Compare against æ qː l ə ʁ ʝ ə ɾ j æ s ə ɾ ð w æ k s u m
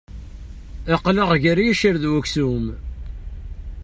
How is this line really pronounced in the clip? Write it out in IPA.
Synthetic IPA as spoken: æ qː l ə ʁ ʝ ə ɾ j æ ʃ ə ɾ ð w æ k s u m